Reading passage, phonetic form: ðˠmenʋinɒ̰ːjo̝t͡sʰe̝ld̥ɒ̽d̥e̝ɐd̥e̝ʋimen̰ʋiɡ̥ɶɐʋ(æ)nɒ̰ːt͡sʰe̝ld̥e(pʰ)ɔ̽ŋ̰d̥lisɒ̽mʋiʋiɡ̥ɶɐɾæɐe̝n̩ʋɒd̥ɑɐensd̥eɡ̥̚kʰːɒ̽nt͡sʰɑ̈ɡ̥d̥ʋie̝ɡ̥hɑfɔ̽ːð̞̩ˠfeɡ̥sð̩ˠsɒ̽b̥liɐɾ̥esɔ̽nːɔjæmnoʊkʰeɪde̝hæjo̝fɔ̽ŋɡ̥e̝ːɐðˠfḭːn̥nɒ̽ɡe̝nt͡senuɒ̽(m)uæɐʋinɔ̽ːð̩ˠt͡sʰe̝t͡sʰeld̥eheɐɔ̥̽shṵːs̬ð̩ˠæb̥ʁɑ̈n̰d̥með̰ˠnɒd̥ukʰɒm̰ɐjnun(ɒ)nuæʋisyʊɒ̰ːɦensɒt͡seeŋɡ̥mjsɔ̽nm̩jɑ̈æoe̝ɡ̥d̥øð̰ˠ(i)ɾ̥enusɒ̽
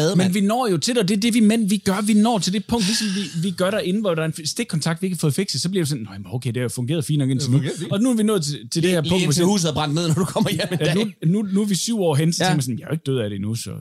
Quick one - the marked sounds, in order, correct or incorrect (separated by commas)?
incorrect, correct, incorrect, incorrect, incorrect